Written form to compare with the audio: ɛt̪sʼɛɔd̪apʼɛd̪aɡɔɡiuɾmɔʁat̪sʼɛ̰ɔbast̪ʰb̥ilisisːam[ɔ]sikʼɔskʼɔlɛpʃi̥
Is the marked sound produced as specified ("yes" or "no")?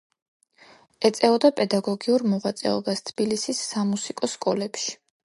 no